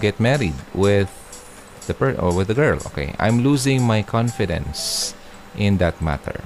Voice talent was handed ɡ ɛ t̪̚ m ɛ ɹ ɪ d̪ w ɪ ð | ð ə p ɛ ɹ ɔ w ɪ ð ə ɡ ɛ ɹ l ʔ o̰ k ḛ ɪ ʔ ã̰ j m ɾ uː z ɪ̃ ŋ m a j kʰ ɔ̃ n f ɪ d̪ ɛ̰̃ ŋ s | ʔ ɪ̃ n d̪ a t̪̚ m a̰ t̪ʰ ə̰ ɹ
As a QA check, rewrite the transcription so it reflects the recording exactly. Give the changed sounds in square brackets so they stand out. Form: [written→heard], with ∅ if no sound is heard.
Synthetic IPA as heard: ɡ ɛ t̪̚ m ɛ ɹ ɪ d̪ w ɪ ð | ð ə p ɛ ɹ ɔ w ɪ ð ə ɡ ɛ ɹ l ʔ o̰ k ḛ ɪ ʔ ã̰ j m [ɾ→l] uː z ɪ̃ ŋ m a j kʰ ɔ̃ n f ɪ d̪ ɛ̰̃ [ŋ→n] s | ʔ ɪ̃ n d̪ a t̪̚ m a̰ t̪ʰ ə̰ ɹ